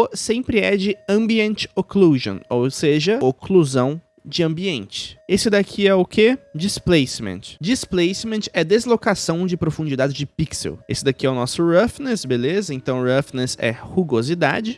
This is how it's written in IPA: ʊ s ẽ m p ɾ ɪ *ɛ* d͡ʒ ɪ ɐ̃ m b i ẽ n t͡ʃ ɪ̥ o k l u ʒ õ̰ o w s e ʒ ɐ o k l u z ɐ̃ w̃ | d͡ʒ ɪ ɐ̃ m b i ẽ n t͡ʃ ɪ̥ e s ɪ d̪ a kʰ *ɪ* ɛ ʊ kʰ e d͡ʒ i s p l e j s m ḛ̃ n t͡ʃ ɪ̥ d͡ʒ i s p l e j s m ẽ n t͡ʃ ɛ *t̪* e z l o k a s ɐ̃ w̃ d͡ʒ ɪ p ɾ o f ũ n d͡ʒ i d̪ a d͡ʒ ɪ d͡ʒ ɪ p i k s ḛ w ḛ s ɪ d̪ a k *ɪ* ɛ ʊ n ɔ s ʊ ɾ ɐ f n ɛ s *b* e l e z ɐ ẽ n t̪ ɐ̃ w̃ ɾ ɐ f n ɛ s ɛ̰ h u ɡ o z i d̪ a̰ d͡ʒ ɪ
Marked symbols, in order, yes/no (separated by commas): yes, no, no, no, yes